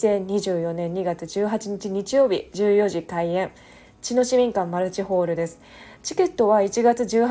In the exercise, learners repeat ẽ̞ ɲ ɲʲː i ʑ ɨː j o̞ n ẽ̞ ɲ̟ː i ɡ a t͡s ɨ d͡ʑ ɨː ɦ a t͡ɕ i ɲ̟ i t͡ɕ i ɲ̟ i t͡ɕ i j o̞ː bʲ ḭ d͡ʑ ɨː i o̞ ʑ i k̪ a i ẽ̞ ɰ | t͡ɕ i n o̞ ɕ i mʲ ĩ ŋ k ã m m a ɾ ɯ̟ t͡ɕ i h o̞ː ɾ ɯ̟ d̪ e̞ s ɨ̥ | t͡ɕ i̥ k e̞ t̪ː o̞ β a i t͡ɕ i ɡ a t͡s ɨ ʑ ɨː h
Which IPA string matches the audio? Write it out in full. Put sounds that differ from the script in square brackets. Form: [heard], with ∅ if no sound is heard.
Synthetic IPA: ẽ̞ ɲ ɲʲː i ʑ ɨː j o̞ n ẽ̞ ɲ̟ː i ɡ a t͡s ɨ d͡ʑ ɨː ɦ a t͡ɕ i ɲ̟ i t͡ɕ i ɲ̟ i t͡ɕ i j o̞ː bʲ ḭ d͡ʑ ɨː [j] o̞ ʑ i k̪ a i ẽ̞ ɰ | t͡ɕ i n o̞ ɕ i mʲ ĩ ŋ k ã m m a ɾ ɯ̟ t͡ɕ i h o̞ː ɾ ɯ̟ d̪ e̞ s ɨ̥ | t͡ɕ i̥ k e̞ t̪ː o̞ β a i t͡ɕ i ɡ a t͡s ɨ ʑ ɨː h